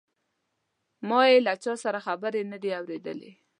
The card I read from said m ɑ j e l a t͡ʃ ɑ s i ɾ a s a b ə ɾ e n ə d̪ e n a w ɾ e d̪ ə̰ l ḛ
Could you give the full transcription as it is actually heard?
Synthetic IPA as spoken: m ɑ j e l a t͡ʃ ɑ s a ɾ a x a b ə ɾ e n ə d̪ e a w ɾ e d̪ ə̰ l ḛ